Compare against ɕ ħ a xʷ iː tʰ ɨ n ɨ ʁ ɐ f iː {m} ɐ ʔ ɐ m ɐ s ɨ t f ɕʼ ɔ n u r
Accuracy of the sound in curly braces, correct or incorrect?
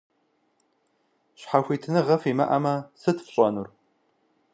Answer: correct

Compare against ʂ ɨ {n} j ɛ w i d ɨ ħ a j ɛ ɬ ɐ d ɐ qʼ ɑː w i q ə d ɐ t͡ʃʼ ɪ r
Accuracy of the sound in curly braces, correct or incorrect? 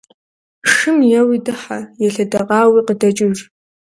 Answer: incorrect: m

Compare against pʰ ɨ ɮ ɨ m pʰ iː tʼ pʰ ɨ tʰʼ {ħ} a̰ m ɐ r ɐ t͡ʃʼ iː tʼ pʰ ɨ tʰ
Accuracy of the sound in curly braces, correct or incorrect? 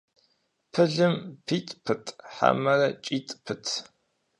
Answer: correct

